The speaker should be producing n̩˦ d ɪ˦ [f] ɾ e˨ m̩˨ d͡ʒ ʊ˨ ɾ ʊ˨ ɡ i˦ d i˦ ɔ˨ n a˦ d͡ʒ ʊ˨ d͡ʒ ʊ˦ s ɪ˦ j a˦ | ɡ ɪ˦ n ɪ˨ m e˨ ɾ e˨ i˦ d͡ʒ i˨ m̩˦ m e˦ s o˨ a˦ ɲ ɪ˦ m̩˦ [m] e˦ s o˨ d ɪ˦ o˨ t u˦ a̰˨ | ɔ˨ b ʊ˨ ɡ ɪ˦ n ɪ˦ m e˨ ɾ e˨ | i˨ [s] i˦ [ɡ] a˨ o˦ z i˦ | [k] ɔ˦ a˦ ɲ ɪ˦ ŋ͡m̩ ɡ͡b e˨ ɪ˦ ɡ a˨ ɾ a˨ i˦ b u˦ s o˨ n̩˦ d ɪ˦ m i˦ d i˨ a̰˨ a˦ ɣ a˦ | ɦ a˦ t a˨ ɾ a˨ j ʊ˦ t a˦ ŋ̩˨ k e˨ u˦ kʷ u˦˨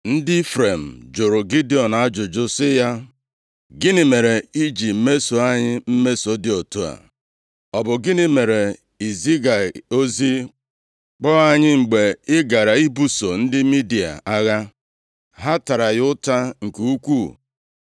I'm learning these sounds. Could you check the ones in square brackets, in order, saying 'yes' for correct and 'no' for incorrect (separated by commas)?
yes, yes, no, yes, no